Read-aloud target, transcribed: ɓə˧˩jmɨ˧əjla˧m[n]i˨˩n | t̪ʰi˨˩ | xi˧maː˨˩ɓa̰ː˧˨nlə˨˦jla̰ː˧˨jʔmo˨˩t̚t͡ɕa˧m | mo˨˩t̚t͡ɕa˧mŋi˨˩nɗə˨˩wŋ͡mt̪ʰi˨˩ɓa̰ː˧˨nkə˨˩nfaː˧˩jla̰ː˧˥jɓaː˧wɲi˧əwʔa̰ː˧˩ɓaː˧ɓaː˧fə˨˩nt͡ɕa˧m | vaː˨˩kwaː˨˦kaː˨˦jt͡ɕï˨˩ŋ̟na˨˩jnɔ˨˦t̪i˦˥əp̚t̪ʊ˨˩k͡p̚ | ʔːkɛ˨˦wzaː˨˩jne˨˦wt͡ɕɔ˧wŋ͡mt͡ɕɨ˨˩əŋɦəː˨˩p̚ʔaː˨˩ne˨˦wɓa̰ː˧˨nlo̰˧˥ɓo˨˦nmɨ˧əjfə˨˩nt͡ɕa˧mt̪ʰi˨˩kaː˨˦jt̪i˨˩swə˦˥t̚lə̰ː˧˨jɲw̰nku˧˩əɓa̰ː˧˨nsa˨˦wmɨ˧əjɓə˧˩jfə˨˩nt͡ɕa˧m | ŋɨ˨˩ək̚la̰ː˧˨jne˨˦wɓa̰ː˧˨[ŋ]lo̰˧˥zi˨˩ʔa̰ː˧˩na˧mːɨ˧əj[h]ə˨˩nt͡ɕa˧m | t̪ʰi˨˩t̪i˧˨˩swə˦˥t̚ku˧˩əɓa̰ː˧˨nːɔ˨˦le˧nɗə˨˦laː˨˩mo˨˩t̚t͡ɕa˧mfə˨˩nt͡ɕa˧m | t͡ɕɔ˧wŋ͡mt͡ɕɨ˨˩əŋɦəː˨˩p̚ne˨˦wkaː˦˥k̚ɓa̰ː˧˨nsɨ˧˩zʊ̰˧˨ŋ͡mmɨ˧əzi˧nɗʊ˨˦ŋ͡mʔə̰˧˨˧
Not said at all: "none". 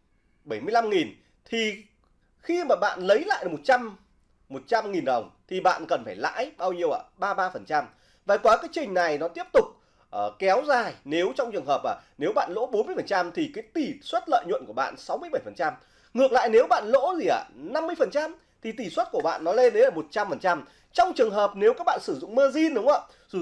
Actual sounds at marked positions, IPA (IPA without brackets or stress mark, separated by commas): ŋ, n, f